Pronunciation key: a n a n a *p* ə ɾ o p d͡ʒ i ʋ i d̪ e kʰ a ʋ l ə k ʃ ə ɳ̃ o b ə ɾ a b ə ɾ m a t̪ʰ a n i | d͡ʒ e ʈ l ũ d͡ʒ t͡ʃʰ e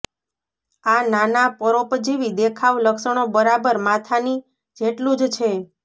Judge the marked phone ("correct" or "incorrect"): correct